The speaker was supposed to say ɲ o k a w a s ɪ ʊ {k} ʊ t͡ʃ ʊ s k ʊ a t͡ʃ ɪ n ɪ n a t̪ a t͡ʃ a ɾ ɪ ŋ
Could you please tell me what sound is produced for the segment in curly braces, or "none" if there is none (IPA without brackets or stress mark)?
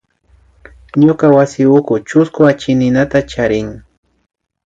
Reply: k